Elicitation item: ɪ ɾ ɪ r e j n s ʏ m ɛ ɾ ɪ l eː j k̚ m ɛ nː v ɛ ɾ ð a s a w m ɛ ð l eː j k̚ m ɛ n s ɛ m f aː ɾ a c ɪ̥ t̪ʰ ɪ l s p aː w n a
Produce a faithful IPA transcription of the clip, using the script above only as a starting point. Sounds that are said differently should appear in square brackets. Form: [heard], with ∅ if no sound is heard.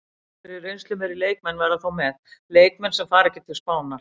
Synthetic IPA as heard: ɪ ɾ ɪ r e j n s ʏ m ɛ ɾ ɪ l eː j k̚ m ɛ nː v ɛ ɾ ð a [θ] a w m ɛ ð l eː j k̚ m ɛ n s ɛ m f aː ɾ [ɛ] c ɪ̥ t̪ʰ ɪ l s p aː w n a